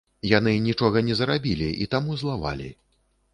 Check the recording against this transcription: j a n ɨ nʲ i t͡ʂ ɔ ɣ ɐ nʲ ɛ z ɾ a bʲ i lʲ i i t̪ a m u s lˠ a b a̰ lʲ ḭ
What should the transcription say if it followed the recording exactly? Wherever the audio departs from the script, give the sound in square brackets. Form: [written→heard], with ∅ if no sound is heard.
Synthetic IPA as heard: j a n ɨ nʲ i t͡ʂ ɔ ɣ ɐ nʲ ɛ z ɾ a bʲ i lʲ i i t̪ a m u [s→z] lˠ a [b→v] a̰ lʲ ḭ